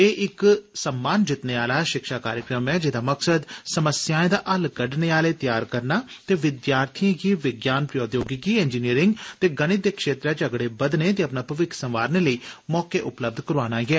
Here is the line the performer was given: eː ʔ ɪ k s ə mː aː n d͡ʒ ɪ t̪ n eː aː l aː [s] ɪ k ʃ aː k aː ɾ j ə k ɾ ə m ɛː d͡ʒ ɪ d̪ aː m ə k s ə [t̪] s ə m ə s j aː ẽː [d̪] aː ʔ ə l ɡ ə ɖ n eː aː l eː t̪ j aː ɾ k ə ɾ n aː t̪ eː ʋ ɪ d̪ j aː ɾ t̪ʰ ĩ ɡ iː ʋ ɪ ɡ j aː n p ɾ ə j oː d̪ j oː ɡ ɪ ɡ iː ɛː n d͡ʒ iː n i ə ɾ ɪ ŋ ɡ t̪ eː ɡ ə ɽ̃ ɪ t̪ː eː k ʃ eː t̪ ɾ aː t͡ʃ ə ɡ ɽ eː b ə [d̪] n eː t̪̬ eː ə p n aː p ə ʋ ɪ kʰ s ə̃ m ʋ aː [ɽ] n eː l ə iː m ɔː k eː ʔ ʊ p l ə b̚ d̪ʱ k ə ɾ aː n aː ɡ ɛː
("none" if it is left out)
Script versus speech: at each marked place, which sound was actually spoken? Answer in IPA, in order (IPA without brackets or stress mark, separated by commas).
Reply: ʃ, d̪, d̪, d̪, ɾ